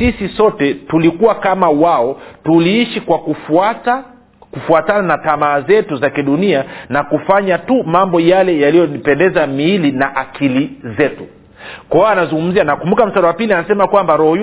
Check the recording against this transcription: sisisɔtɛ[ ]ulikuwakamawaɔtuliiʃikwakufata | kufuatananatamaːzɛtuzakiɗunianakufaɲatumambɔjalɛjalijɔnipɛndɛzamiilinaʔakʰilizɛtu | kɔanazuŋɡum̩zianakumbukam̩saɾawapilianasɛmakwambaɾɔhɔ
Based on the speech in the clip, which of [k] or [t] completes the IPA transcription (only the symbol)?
t